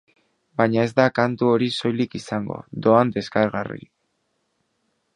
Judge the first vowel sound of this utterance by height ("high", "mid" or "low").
low